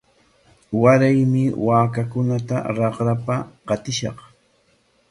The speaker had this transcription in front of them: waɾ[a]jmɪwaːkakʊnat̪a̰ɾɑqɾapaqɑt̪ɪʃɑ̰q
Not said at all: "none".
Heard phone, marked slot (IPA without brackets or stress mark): a